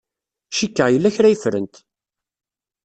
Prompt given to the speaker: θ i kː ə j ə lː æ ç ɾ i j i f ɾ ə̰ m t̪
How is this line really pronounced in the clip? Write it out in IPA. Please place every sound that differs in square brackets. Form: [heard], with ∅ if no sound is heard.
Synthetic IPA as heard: [ʃ] i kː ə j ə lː æ ç ɾ [æ] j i f ɾ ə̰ [n] t̪